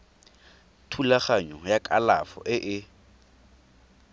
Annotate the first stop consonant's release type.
aspirated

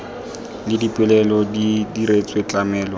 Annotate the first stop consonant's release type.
plain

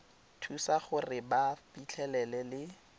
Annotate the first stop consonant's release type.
aspirated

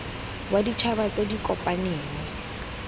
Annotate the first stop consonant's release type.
plain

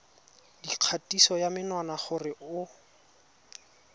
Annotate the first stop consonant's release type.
plain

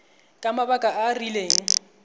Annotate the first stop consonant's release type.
ejective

